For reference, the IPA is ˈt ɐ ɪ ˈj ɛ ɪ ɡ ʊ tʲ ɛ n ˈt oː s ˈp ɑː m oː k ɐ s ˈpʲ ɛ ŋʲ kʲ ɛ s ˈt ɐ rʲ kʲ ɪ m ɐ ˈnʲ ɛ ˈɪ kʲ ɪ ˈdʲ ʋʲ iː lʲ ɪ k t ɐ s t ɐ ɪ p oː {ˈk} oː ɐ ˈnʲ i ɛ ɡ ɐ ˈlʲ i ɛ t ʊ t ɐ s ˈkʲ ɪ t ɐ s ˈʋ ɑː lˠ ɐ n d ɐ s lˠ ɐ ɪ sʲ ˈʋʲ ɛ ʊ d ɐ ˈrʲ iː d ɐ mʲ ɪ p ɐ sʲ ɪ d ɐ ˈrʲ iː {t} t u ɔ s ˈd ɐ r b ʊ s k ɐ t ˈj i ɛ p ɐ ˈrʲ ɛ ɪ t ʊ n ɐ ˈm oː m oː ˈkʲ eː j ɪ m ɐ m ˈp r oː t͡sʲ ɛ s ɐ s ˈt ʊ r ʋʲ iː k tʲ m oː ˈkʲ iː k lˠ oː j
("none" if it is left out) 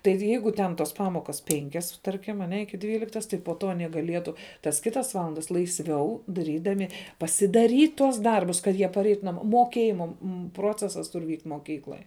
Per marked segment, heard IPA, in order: t, t

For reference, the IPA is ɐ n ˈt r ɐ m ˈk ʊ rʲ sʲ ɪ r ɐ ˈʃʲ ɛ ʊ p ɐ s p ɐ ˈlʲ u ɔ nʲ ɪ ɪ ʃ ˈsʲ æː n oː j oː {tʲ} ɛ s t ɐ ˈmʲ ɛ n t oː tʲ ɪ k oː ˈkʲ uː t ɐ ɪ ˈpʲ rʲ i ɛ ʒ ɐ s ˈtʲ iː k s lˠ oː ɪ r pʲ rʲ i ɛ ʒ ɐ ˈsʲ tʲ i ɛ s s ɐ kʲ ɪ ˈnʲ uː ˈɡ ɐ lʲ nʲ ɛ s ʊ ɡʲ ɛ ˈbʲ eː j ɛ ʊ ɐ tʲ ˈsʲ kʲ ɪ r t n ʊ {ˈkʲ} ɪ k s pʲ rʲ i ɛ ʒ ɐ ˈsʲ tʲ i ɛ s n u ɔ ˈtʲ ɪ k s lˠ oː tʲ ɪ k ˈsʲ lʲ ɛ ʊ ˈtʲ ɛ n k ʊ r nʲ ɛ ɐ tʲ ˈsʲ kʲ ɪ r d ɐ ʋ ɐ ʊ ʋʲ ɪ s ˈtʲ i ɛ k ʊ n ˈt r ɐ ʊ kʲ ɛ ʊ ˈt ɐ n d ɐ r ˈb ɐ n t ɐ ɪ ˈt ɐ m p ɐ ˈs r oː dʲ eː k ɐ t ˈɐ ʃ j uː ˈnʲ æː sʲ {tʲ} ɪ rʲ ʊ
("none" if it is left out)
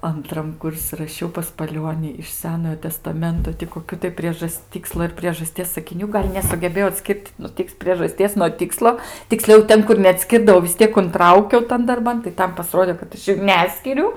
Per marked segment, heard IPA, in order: tʲ, tʲ, kʲ

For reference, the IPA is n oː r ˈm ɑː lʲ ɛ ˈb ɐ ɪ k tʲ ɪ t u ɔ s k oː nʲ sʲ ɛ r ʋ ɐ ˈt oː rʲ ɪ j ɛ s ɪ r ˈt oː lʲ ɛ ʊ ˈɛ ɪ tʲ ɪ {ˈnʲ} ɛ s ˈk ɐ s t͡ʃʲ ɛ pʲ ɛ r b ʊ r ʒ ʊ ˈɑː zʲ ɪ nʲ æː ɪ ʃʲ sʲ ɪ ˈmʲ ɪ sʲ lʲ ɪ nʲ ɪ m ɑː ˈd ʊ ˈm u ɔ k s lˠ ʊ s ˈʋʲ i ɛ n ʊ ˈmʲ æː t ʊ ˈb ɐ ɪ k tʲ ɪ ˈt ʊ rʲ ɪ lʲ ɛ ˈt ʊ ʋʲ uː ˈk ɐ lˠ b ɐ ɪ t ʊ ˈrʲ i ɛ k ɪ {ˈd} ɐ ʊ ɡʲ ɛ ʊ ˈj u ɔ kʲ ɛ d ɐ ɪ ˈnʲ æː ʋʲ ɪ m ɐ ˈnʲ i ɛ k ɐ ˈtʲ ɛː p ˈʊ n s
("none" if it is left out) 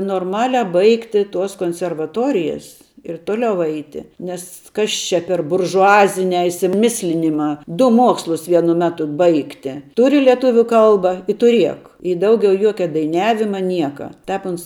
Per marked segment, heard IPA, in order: nʲ, d

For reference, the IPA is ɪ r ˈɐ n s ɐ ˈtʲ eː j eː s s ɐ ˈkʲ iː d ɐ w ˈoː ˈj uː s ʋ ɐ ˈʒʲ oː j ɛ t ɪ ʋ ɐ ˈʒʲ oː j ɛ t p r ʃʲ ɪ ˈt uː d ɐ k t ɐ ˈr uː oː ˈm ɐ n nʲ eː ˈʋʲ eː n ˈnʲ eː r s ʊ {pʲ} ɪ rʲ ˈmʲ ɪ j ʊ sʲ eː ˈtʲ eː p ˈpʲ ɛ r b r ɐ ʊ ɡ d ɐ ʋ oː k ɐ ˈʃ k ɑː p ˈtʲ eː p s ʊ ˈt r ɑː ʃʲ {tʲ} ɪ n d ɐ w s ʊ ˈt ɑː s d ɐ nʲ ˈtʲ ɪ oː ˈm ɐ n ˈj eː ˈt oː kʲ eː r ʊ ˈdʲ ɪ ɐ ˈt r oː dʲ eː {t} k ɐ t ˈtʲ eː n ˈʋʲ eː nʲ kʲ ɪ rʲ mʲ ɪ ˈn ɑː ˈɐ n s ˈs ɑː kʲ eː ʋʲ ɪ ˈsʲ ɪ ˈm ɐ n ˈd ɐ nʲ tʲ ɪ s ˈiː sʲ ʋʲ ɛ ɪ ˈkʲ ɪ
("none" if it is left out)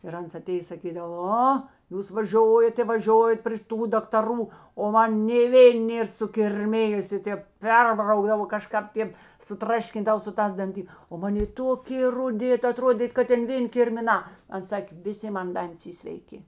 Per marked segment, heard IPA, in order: kʲ, kʲ, t

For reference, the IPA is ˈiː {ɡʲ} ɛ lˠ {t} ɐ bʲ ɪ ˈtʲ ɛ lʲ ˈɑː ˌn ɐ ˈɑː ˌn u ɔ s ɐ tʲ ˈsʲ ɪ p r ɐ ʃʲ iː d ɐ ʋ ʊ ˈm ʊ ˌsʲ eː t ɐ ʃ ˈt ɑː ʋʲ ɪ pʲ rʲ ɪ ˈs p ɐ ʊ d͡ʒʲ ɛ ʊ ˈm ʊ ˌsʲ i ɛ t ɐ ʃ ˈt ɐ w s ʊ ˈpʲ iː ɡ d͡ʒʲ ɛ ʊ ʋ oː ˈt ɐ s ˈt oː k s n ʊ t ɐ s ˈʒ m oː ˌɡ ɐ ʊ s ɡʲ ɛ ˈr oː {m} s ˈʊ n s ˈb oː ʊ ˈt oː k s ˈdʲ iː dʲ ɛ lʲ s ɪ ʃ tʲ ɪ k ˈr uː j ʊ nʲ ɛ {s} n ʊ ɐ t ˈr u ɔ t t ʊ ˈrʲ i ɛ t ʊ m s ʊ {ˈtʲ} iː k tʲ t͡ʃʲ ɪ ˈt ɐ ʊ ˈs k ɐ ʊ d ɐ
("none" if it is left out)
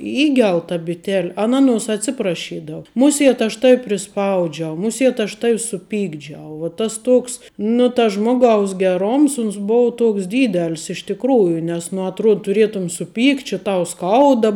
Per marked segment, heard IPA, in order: ɡʲ, t, m, s, pʲ

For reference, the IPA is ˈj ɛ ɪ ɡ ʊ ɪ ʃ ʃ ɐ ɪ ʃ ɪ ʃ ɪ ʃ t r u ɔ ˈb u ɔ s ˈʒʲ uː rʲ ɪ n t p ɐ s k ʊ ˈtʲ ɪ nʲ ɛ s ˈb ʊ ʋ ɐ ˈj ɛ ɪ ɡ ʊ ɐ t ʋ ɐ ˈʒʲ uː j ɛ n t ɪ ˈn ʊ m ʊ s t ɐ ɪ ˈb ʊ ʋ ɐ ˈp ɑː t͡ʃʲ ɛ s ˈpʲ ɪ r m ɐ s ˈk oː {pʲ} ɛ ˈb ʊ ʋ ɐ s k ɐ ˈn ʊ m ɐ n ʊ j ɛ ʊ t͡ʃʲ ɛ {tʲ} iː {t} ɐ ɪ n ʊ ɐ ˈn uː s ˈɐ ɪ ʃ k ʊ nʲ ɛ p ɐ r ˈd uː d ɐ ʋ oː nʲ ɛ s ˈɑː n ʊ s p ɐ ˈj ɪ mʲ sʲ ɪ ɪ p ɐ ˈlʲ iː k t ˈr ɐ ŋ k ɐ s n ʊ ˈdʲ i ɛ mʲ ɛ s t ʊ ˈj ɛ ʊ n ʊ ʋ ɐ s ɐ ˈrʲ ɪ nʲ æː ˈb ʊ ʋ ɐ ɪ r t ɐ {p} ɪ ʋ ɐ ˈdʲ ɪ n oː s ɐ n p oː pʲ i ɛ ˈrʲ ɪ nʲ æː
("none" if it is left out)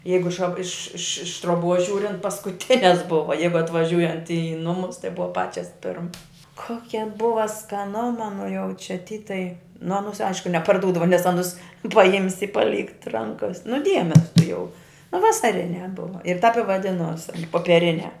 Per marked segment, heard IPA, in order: kʲ, tʲ, t, p

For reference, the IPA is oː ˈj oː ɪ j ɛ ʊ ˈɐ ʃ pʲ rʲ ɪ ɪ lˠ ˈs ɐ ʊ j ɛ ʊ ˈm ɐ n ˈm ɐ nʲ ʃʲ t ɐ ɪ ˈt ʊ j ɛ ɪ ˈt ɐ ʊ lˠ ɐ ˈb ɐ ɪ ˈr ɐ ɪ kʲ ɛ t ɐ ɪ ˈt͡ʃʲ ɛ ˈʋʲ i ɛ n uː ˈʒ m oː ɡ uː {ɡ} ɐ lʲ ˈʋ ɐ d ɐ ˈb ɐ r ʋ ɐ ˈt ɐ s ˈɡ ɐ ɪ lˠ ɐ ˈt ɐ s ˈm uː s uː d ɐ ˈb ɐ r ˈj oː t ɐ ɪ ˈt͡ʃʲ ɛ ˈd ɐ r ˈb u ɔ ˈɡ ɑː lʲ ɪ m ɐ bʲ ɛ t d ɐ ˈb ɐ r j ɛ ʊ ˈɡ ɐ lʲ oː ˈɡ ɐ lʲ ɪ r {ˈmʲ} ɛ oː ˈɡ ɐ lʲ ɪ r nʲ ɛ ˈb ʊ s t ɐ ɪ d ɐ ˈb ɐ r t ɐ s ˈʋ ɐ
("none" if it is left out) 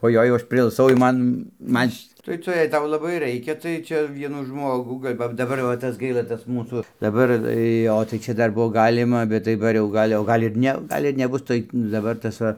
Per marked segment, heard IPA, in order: ɡ, nʲ

